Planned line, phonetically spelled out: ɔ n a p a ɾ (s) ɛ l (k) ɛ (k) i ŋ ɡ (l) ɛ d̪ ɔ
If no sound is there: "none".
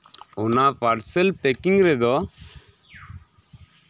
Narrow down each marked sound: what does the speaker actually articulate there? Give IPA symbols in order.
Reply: s, p, k, ɾ

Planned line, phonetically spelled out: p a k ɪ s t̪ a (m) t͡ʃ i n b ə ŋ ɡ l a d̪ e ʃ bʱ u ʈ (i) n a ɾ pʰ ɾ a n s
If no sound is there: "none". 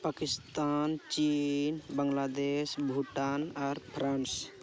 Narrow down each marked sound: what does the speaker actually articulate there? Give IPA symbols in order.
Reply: n, a

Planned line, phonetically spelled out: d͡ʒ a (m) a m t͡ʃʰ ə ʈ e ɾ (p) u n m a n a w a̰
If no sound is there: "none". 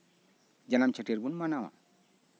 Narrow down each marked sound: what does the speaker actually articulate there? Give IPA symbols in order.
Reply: n, b

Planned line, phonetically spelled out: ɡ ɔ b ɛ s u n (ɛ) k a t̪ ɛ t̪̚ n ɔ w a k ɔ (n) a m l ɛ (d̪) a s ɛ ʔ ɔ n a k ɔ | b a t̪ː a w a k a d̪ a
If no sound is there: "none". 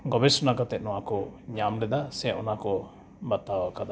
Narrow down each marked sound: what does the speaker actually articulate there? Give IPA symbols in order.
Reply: a, ɲ, d̪

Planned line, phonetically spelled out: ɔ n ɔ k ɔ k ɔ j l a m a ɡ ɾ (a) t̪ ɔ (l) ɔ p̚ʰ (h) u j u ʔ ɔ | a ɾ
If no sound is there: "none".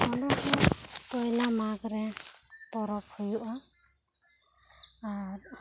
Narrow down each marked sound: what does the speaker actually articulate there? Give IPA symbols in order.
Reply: ɛ, ɾ, h

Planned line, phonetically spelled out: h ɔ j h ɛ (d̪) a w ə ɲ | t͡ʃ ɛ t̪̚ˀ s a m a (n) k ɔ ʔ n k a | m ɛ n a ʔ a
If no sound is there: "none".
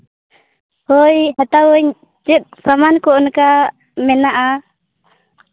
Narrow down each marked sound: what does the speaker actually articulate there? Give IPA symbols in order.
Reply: t̪, n

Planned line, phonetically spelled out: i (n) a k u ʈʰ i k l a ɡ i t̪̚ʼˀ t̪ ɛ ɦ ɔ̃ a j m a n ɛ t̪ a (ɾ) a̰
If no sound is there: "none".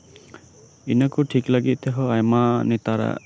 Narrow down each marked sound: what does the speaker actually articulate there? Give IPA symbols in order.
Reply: n, ɾ

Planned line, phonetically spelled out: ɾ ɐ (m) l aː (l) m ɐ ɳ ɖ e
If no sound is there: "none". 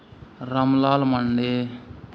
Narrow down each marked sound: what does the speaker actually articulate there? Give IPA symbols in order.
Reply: m, l

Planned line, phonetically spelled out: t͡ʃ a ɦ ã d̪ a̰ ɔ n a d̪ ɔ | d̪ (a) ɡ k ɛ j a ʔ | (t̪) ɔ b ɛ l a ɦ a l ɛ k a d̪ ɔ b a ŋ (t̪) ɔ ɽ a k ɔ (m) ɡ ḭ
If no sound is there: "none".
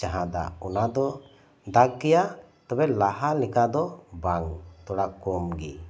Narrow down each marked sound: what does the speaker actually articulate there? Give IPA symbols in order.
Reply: a, t̪, t̪, m

